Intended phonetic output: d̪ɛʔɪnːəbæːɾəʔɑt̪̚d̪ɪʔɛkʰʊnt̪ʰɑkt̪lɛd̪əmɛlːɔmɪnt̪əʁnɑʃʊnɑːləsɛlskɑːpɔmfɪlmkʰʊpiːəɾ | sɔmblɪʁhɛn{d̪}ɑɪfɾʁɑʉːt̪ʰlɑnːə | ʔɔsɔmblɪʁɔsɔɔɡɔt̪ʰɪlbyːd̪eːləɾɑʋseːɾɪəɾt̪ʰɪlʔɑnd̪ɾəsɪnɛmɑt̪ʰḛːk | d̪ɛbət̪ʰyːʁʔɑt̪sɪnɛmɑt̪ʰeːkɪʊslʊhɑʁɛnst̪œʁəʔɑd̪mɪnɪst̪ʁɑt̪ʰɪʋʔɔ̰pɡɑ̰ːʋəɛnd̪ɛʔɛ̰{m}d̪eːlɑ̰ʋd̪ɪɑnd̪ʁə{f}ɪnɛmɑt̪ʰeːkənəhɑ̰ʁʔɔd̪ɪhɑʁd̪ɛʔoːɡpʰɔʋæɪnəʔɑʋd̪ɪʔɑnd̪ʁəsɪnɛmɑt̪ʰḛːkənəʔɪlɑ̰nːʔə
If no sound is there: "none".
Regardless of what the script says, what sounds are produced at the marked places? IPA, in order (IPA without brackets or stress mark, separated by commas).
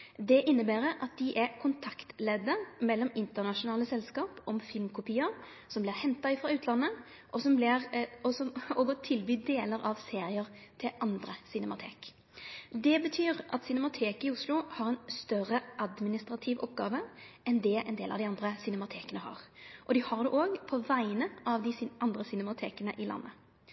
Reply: t̪, n, s